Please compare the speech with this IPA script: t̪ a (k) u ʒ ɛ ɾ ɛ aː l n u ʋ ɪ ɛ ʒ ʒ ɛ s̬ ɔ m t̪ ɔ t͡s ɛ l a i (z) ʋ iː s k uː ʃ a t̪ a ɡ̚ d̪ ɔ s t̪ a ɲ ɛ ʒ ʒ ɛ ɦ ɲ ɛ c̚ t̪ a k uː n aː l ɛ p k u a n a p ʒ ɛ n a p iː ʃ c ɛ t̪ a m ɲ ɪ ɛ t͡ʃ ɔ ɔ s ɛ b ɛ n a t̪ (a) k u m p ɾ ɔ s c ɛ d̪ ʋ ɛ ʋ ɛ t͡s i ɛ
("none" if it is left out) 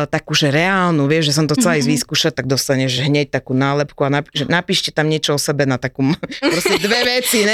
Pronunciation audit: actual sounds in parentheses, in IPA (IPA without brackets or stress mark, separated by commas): k, z, a